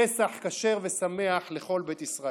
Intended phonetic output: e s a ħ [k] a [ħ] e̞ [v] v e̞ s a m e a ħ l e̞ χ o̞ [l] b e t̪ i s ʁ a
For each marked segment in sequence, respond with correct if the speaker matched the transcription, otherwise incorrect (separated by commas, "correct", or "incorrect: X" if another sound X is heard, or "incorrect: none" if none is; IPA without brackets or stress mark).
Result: correct, incorrect: ʃ, incorrect: ʁ, correct